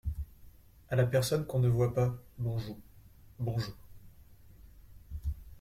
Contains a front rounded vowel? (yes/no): no